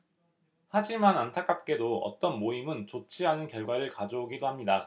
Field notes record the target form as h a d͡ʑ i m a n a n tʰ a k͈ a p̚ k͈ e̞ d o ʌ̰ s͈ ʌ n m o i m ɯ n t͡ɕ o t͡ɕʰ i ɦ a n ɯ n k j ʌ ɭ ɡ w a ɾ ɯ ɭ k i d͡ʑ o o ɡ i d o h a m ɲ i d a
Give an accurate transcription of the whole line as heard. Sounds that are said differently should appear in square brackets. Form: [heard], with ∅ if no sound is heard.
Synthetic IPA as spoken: h a d͡ʑ i m a n a n tʰ a k͈ a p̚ k͈ e̞ d o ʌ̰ [t͈] ʌ n m o i m ɯ n t͡ɕ o t͡ɕʰ i ɦ a n ɯ n k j ʌ ɭ ɡ w a ɾ ɯ ɭ k [a] d͡ʑ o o ɡ i d o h a m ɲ i d a